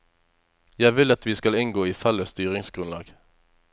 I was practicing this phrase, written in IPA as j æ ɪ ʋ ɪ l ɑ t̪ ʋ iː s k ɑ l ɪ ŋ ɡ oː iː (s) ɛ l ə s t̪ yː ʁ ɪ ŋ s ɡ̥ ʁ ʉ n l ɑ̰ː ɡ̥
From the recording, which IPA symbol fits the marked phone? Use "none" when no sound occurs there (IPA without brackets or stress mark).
f